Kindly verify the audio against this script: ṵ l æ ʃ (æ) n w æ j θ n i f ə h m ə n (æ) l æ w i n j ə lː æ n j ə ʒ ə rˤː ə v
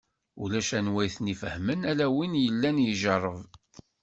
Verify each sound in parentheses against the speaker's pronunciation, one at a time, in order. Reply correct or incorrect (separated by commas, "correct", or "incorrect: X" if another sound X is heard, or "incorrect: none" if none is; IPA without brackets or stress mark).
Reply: correct, correct